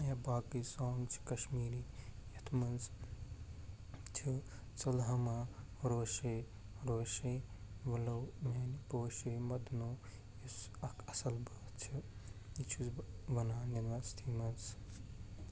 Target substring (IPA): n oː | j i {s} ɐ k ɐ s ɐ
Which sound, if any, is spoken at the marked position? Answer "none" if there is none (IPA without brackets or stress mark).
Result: s